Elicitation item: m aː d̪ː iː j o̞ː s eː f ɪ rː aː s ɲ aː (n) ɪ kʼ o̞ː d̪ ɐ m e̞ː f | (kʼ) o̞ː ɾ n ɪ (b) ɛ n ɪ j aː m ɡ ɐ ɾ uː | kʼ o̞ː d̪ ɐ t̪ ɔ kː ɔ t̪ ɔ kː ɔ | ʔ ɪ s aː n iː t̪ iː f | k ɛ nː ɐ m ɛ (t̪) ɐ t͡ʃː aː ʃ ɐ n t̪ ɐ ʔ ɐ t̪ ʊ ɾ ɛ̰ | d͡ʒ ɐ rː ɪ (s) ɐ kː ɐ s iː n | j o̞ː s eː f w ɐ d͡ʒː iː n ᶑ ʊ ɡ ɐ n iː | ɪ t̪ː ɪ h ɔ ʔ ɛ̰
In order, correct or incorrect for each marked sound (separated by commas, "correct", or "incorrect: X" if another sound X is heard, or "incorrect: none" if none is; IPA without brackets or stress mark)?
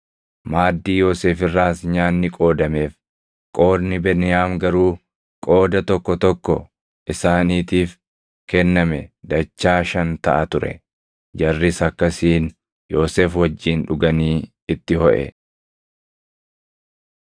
incorrect: nː, correct, correct, incorrect: d̪, correct